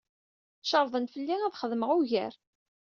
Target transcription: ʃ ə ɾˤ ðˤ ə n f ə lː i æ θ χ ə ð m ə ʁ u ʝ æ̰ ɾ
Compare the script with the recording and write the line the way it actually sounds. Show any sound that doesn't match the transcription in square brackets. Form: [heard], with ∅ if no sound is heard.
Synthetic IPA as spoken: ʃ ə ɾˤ ðˤ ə n f ə lː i æ [ð] χ ə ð m ə ʁ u ʝ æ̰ ɾ